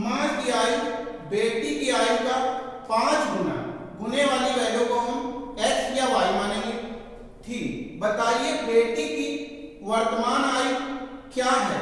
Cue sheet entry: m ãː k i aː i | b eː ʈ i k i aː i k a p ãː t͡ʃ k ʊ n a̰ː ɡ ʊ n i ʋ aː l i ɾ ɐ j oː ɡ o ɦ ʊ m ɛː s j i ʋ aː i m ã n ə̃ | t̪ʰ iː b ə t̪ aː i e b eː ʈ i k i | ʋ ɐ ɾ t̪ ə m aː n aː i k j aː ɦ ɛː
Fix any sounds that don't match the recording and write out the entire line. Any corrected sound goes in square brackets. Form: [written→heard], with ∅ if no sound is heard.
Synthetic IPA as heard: m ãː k i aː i | b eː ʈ i k i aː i k a p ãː t͡ʃ [k→ɡ] ʊ n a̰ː ɡ ʊ n [i→e] ʋ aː l i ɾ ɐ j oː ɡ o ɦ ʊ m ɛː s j [i→a] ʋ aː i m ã n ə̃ | t̪ʰ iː b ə t̪ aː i e b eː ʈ i k i | ʋ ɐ ɾ t̪ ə m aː n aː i k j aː ɦ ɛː